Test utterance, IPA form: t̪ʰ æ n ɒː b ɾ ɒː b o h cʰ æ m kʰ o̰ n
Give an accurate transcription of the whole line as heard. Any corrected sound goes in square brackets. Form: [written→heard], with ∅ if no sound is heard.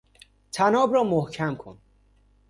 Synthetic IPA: t̪ʰ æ n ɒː b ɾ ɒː [b→m] o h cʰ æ m kʰ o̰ n